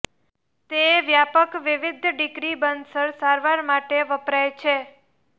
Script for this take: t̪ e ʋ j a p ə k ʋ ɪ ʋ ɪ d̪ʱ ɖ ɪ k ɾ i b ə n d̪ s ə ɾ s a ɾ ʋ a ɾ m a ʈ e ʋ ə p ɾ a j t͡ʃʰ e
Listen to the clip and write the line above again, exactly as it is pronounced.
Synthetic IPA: t̪ e ʋ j a p ə k ʋ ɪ ʋ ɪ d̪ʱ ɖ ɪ k ɾ i b ə n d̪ s ə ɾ s a ɾ ʋ a ɾ m a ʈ e ʋ ə p ɾ a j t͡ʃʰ e

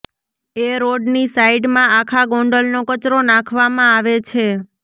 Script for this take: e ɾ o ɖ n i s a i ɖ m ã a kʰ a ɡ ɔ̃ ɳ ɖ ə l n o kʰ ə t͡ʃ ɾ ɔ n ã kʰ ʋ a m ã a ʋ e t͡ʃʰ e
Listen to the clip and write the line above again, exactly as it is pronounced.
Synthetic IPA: e ɾ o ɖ n i s a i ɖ m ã a kʰ a ɡ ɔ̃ ɳ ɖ ə l n o k ə t͡ʃ ɾ o n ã kʰ ʋ a m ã a ʋ e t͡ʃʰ e

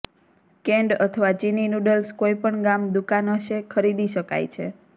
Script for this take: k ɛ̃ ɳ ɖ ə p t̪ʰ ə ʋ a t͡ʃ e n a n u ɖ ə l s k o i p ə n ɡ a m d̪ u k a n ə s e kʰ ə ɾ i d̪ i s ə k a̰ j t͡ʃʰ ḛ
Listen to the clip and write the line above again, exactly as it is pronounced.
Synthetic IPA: k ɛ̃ ɳ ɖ ə t̪ʰ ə ʋ a t͡ʃ i n i n u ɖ ə l s k o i p ə ɳ ɡ a m d̪ u k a n ə ʃ e kʰ ə ɾ i d̪ i ʃ ə k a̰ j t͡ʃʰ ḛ

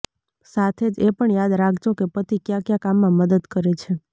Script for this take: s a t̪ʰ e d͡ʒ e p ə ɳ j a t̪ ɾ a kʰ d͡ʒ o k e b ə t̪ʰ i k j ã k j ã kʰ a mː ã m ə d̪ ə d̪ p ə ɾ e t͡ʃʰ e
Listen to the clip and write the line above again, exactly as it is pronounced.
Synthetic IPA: s a t̪ʰ e d͡ʒ e p ə ɳ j a d̪ ɾ a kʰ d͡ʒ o k e p ə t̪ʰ i k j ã k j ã k a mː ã m ə d̪ ə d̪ k ə ɾ e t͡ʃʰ e

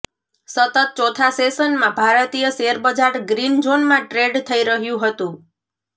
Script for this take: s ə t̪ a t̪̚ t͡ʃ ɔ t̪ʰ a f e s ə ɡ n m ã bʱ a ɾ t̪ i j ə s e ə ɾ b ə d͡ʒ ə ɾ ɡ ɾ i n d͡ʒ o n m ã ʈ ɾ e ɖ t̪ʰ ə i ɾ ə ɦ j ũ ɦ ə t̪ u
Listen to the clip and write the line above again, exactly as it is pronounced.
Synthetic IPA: s ə t̪ ə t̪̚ t͡ʃ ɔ t̪ʰ a s e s ə n m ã bʱ a ɾ t̪ i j ə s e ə ɾ b ə d͡ʒ a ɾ ɡ ɾ i n d͡ʒ o n m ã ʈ ɾ e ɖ t̪ʰ ə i ɾ ə ɦ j ũ ɦ ə t̪ ũ

